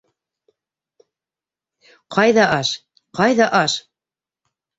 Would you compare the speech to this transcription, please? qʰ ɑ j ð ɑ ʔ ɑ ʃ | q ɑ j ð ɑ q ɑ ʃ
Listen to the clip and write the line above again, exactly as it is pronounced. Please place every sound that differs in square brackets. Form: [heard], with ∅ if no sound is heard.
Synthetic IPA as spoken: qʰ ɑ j ð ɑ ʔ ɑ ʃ | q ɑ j ð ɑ [ʔ] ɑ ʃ